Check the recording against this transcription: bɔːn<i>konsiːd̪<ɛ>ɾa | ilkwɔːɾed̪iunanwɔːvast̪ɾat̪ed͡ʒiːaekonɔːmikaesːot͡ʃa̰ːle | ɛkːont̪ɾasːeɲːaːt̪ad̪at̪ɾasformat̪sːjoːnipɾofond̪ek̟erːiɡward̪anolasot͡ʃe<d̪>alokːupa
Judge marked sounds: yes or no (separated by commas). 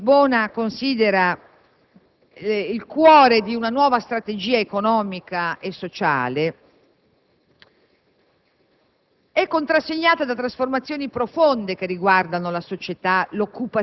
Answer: no, no, no